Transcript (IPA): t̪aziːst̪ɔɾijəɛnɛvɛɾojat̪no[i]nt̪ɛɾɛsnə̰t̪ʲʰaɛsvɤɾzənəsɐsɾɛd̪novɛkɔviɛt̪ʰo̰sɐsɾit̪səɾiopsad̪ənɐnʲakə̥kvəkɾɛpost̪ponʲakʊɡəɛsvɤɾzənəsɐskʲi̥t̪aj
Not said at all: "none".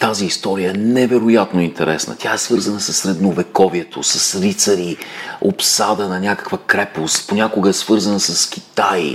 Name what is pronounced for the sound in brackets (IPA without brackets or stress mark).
i